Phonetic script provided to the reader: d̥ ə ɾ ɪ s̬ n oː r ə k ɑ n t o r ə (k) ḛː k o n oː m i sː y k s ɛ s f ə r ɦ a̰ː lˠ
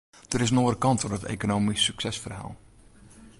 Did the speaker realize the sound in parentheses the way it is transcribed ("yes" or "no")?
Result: no